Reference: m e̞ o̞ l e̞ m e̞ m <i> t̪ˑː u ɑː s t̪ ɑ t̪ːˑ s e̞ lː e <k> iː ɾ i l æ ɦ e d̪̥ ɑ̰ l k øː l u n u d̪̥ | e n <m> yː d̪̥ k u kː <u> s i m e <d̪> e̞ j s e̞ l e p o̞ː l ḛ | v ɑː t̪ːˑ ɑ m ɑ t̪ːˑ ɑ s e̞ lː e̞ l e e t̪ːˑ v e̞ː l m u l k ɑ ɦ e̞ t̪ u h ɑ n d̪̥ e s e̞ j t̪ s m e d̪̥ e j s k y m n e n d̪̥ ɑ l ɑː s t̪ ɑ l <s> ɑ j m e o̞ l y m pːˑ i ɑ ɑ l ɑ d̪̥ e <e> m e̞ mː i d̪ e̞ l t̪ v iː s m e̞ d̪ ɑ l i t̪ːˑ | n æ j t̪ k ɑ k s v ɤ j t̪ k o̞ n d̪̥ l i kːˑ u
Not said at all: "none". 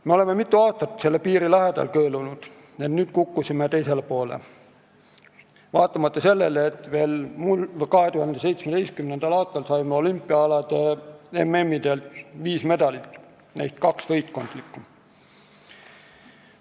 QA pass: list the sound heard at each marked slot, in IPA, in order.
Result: i, p, n, u, t̪, s, e

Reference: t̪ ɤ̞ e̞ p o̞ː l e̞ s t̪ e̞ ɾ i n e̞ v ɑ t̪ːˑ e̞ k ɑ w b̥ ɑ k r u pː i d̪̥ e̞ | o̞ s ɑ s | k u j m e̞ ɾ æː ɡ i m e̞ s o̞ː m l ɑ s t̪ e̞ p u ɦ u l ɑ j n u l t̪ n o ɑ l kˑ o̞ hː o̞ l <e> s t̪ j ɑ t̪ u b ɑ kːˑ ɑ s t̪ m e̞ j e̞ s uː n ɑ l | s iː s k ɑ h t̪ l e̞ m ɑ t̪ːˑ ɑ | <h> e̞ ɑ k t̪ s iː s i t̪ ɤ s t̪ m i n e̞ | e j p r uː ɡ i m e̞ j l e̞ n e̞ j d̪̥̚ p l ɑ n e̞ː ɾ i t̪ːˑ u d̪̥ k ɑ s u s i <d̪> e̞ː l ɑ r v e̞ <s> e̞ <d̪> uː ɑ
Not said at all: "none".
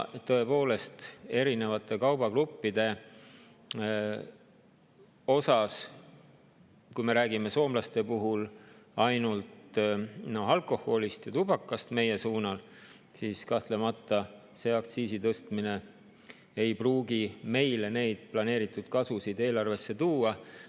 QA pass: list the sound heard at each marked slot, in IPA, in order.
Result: i, s, d̪, sː, t̪

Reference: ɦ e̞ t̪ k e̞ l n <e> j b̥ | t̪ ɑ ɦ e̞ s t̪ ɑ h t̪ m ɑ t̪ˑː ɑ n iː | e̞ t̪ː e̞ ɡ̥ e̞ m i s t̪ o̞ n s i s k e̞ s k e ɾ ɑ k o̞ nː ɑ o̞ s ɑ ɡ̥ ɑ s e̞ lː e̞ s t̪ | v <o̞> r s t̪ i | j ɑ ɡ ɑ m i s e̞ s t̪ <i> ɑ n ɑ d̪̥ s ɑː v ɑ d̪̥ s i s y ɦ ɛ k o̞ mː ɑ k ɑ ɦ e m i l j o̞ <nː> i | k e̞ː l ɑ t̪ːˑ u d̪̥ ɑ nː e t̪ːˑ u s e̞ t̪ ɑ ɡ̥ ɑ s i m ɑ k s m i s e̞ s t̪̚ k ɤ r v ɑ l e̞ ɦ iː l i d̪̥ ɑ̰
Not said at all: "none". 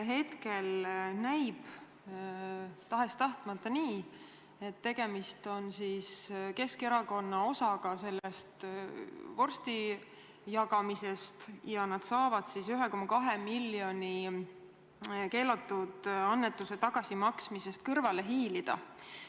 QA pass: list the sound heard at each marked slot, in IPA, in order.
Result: æ, o̞, j, n

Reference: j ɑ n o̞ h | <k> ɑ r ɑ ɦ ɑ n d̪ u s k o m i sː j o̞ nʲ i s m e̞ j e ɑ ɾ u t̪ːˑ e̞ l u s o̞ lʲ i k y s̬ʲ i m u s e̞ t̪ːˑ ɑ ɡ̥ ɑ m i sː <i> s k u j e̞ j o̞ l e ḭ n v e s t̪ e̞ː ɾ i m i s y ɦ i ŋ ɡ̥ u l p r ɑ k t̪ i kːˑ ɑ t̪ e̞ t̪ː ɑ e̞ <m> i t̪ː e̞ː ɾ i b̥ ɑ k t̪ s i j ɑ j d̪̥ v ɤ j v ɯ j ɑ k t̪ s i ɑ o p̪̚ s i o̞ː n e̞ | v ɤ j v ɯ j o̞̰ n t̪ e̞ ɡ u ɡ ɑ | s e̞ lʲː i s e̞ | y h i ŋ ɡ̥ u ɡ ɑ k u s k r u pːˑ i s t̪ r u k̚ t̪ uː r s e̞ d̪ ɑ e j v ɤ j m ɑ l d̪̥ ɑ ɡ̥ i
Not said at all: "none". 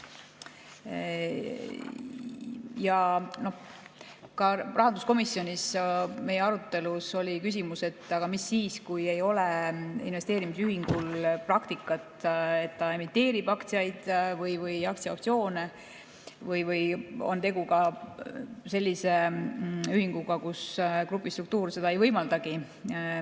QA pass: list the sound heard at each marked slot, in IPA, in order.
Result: k, iː, m

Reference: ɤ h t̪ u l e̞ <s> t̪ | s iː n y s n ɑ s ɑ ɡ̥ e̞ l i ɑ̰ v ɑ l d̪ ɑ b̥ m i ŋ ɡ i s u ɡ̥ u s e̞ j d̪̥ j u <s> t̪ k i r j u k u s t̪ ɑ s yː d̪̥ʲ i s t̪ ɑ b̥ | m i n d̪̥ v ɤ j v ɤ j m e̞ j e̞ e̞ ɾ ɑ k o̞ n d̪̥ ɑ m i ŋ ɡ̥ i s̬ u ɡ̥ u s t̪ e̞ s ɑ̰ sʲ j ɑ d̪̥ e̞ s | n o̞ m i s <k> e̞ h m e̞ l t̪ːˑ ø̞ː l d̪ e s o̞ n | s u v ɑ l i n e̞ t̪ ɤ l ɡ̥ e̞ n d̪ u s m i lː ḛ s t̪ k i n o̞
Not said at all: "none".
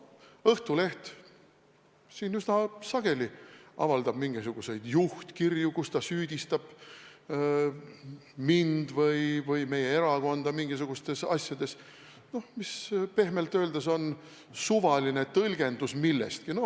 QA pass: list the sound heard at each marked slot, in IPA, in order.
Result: h, h, p

